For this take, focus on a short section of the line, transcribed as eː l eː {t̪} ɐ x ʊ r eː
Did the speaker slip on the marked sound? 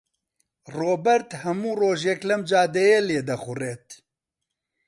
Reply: yes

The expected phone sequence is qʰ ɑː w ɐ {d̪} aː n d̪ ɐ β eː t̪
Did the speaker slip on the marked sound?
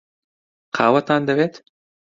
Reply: yes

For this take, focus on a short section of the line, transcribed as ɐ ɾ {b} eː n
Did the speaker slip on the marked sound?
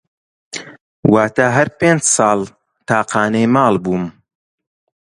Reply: yes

